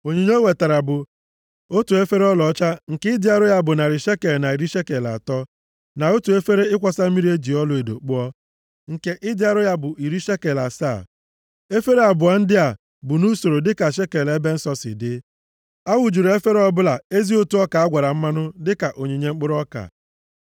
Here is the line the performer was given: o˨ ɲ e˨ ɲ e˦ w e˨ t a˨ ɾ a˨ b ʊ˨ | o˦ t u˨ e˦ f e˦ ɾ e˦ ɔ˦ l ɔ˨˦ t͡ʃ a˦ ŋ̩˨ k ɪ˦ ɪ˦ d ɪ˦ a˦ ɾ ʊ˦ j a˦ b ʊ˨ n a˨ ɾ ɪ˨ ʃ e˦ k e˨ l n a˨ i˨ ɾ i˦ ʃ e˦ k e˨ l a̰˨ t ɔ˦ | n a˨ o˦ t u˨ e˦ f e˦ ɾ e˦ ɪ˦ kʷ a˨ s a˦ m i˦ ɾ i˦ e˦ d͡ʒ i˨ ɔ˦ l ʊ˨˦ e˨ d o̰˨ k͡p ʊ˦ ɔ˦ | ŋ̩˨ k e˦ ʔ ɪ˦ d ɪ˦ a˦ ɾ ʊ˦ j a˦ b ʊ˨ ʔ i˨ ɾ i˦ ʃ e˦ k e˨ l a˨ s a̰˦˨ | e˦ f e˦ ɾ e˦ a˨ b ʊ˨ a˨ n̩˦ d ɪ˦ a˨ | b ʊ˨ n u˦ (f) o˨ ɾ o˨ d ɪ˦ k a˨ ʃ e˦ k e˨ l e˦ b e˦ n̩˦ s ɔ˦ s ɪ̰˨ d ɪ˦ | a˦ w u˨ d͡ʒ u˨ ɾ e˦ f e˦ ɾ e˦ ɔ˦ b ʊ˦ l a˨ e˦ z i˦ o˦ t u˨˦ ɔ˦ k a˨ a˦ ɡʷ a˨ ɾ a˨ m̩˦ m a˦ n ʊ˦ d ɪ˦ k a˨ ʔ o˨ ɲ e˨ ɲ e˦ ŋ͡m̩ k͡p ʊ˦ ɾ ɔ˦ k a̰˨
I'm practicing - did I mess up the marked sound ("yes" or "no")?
yes